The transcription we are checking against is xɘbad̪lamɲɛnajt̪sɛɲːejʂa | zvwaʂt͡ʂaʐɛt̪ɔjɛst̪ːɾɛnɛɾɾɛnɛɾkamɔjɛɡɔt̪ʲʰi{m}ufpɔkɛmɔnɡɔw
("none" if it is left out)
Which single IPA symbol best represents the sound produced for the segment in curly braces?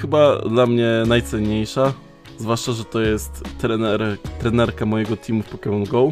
m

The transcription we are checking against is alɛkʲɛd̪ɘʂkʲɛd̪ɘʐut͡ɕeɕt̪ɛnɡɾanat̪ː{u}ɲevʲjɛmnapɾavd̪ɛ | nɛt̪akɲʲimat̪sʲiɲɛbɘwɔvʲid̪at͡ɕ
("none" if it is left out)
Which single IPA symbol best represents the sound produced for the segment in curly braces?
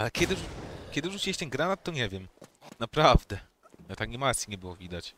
ɔ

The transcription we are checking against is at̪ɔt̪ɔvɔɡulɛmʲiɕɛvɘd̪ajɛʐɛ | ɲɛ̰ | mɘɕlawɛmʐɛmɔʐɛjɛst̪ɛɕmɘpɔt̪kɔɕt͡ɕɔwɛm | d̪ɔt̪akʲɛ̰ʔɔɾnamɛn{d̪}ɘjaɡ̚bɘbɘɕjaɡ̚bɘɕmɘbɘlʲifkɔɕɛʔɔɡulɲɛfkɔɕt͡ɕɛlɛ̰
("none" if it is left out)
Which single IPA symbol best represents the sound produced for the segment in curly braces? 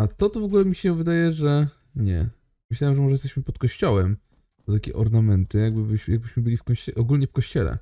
t̪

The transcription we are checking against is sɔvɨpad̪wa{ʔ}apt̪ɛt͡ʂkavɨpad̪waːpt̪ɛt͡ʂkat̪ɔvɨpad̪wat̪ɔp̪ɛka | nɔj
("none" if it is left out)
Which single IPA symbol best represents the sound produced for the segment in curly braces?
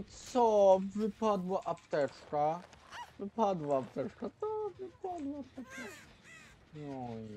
ʔ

